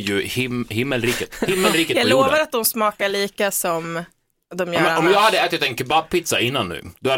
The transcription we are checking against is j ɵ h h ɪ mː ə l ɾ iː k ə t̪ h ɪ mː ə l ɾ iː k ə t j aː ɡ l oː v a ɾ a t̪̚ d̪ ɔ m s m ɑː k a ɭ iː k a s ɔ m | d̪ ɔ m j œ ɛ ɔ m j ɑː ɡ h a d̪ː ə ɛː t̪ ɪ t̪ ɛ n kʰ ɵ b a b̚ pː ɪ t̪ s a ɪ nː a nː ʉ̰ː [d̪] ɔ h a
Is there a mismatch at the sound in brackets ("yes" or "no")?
no